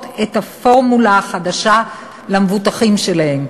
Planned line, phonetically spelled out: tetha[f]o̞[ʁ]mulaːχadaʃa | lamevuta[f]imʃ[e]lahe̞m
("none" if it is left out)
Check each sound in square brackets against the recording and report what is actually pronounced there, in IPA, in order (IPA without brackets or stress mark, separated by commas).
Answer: f, ʁ, χ, e